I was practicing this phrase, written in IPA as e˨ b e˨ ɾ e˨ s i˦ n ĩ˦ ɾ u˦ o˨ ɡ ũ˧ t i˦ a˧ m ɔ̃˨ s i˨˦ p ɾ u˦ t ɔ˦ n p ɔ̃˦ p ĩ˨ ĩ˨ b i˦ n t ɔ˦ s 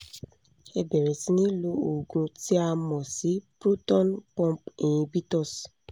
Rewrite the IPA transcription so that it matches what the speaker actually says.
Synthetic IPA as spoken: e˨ b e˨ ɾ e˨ s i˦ n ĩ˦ l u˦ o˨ ɡ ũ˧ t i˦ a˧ m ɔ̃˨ s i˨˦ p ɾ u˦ t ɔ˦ n p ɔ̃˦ p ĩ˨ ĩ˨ b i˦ t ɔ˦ s